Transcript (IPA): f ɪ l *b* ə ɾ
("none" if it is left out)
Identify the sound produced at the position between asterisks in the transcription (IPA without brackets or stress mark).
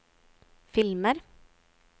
m